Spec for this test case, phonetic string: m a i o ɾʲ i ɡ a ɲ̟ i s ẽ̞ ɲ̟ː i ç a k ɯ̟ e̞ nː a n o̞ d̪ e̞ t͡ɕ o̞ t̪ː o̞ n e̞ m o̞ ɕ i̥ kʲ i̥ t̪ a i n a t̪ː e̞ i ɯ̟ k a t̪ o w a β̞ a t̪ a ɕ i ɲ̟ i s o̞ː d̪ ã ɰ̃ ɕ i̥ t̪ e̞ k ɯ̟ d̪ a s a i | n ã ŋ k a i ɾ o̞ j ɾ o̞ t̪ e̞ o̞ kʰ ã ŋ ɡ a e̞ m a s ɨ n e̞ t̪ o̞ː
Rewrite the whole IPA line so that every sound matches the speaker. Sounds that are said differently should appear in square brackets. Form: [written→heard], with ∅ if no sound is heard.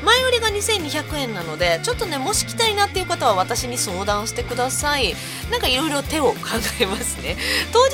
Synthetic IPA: m a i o ɾʲ i ɡ a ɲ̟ i s ẽ̞ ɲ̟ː i ç a k ɯ̟ [e̞→ẽ̞] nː a n o̞ d̪ e̞ t͡ɕ o̞ t̪ː o̞ n e̞ m o̞ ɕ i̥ kʲ i̥ t̪ a i n a t̪ː e̞ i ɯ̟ k a t̪ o [w→β] a β̞ a t̪ a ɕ i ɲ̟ i s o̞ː d̪ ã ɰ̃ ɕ i̥ t̪ e̞ k ɯ̟ d̪ a s a i | n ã ŋ k a i ɾ o̞ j ɾ o̞ t̪ e̞ o̞ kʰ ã ŋ ɡ a e̞ m a s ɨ n e̞ t̪ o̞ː